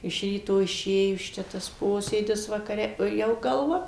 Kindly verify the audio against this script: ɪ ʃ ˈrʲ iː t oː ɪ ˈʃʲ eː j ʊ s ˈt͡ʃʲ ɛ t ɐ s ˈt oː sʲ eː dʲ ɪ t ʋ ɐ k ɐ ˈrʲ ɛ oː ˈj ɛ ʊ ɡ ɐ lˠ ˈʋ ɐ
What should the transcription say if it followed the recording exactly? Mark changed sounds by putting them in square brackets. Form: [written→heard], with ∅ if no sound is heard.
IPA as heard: ɪ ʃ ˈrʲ iː t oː ɪ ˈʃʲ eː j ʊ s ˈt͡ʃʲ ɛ t ɐ s [ˈt→ˈp] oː sʲ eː dʲ ɪ [t→s] ʋ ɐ k ɐ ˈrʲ ɛ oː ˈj ɛ ʊ ɡ ɐ lˠ ˈʋ ɐ